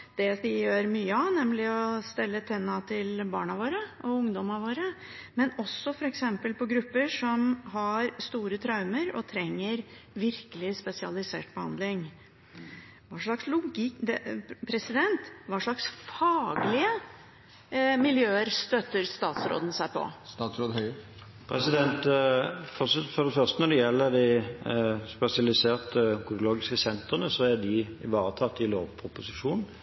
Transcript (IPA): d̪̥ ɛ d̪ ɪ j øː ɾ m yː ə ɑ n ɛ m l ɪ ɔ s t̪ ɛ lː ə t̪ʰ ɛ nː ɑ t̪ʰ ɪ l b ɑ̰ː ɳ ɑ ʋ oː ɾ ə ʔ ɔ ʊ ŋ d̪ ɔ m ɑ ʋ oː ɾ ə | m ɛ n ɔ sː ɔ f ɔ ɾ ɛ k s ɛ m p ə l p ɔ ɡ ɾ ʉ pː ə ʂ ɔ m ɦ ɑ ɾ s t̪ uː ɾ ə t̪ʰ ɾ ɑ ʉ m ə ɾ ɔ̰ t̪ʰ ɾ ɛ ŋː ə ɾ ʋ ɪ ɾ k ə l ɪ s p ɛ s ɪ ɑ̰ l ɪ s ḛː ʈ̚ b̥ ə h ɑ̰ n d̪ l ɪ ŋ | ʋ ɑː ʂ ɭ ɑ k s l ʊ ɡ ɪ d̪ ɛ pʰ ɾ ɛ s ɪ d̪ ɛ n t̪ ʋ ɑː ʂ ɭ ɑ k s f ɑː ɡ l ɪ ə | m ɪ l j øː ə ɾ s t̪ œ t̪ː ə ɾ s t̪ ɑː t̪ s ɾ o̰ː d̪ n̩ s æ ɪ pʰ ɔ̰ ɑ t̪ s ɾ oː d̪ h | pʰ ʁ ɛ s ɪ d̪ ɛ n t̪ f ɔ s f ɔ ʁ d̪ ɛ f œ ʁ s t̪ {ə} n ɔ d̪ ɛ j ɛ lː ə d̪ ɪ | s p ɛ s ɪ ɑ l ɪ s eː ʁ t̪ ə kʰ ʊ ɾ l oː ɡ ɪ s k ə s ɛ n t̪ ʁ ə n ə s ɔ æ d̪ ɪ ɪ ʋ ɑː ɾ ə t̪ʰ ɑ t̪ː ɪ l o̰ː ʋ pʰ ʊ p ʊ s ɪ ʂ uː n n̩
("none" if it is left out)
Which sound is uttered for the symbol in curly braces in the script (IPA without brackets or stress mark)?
ə